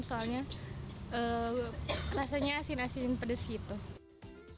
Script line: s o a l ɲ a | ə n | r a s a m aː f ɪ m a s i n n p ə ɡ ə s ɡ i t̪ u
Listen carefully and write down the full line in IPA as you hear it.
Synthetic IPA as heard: s o a l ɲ a | ə | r a s a ɲ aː s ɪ n a s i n n p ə d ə s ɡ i t̪ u